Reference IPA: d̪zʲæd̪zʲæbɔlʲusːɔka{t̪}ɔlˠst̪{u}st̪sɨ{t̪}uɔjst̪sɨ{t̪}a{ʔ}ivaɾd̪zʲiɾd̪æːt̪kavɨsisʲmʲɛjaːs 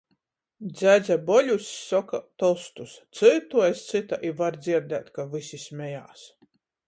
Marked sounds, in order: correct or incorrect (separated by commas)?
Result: correct, correct, correct, correct, correct